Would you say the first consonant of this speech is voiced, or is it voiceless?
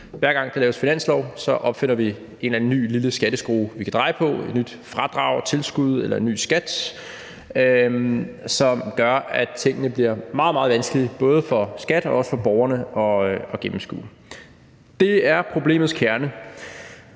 voiced